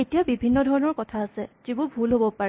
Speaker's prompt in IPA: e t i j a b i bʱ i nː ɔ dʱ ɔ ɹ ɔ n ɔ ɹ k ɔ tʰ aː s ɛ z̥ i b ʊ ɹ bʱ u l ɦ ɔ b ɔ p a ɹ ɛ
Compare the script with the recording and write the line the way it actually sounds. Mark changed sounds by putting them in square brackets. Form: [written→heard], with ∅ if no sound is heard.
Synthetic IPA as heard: e t i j a b i bʱ i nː ɔ dʱ ɔ ɹ ɔ n ɔ ɹ k ɔ tʰ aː s ɛ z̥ i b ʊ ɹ bʱ u l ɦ [ɔ→o] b ɔ p a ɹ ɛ